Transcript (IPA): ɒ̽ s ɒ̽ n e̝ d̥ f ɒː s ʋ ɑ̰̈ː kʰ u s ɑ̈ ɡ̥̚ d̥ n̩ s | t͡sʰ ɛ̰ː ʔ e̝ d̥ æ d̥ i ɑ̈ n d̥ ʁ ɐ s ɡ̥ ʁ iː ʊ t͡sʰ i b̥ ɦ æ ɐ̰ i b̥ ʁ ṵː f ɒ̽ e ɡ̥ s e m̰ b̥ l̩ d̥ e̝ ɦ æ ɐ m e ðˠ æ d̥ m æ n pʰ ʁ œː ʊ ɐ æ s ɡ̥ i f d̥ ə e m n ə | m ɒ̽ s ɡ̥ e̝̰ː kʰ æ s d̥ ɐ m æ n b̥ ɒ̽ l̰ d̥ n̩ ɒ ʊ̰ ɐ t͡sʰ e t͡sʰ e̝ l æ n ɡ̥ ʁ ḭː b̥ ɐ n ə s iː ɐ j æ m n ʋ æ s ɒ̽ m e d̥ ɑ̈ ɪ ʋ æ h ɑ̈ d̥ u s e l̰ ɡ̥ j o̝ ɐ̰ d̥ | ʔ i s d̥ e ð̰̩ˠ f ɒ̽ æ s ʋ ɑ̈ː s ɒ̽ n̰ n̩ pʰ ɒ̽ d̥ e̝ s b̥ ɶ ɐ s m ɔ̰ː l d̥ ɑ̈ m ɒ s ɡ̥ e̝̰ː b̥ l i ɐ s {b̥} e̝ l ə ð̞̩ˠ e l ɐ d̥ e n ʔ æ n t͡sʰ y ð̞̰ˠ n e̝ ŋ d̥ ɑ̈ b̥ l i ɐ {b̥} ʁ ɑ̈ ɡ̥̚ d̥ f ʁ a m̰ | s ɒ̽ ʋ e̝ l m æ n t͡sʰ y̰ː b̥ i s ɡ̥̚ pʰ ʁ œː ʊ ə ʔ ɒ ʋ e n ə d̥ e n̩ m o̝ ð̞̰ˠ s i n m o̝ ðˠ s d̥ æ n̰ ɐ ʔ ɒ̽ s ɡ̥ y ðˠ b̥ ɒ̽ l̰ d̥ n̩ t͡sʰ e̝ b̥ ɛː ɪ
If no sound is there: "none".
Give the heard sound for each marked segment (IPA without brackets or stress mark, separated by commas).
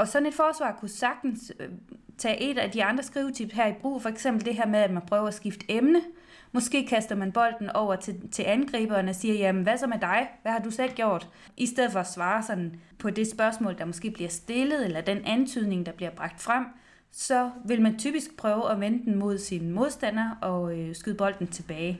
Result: d̥, b̥